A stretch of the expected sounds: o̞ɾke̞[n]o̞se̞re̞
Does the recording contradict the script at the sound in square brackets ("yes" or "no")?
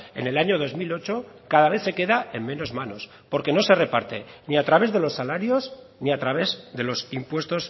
no